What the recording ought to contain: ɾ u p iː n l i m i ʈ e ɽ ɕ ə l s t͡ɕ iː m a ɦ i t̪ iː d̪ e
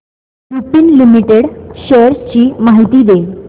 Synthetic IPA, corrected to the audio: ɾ u p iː n l i m i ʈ e ɽ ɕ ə ɾ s t͡ɕ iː m a ɦ i t̪ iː d̪ e